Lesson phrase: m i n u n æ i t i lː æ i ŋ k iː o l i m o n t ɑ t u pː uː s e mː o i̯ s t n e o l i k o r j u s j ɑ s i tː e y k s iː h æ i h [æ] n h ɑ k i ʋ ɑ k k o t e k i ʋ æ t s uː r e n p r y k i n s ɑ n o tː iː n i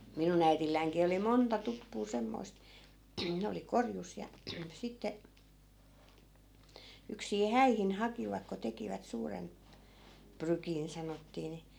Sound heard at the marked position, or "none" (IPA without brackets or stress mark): i